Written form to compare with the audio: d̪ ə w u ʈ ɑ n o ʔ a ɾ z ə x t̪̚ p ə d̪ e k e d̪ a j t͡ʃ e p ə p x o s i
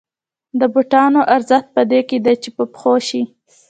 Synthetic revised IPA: d̪ ə b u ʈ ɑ n o ʔ a ɾ z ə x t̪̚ p ə d̪ e k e d̪ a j t͡ʃ e p ə p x o ʃ i